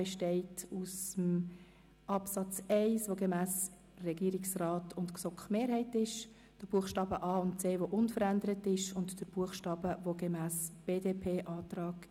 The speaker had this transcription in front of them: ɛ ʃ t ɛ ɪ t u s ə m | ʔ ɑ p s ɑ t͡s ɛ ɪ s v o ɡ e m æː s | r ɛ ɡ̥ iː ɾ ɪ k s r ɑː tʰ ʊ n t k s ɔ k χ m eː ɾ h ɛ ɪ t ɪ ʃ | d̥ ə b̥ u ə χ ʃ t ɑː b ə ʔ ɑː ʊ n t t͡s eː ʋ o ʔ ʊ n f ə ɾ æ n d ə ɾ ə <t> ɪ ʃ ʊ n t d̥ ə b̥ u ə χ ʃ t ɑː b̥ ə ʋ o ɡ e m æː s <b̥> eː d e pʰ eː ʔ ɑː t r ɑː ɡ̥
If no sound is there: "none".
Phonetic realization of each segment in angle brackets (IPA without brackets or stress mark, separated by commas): t, b̥